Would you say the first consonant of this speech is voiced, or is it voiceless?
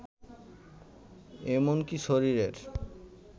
voiced